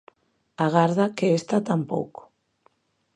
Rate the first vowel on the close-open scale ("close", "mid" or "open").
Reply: open